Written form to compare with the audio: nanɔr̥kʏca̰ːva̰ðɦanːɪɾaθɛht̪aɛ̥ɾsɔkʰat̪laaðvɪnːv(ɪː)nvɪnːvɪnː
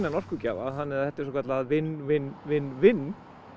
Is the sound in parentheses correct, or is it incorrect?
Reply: incorrect